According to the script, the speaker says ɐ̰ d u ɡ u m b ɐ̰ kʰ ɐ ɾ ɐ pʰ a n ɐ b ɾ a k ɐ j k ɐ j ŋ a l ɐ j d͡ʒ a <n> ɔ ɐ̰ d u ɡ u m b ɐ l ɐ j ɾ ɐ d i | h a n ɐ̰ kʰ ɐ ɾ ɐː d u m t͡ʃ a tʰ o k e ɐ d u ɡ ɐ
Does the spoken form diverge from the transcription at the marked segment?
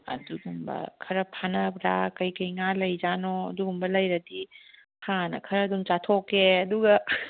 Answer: no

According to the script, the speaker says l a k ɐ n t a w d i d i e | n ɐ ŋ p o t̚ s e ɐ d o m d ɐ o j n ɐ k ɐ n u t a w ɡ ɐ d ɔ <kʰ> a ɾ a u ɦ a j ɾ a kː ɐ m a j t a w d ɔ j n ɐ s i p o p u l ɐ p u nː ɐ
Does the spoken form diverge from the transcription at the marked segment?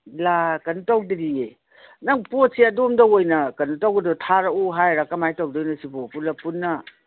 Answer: yes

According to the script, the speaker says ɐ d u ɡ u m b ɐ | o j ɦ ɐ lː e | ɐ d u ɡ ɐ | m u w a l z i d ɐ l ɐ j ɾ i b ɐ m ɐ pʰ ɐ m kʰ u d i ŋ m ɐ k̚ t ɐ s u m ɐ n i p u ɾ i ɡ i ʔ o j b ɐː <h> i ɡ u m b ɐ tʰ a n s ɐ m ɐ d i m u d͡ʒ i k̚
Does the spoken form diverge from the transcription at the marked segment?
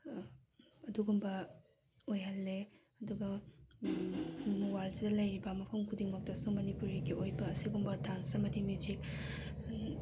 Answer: yes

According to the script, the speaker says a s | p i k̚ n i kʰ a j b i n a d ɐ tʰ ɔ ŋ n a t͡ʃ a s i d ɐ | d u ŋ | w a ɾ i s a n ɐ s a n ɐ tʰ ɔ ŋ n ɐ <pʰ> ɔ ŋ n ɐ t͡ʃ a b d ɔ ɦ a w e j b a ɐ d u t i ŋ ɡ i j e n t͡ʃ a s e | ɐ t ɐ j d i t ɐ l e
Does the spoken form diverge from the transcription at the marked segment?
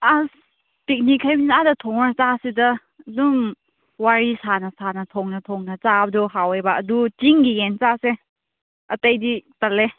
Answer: yes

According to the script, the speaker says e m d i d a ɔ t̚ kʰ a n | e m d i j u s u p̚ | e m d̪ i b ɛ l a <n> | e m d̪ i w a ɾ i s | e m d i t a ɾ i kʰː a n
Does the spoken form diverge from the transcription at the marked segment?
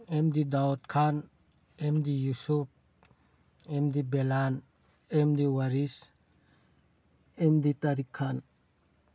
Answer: no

